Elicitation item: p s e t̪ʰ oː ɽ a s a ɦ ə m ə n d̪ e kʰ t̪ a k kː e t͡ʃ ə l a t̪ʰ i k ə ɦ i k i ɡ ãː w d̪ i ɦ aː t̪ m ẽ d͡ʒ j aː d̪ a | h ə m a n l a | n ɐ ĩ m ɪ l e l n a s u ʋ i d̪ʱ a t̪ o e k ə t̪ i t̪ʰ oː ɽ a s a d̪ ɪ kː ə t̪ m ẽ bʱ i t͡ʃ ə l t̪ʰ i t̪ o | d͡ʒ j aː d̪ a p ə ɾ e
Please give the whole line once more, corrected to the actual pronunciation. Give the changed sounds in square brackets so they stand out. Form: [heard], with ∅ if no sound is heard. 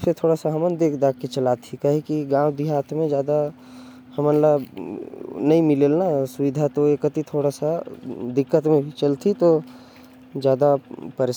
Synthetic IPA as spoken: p s e t̪ʰ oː ɽ a s a ɦ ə m ə n d̪ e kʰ [d̪] a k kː e t͡ʃ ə l a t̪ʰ i k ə ɦ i k i ɡ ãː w d̪ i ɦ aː t̪ m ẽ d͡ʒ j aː d̪ a | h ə m [ə] n l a | n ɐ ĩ m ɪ l e l n a s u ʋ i d̪ʱ a t̪ o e k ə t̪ i t̪ʰ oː ɽ a s a d̪ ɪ kː ə t̪ m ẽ bʱ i t͡ʃ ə l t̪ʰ i t̪ o | d͡ʒ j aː d̪ a p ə ɾ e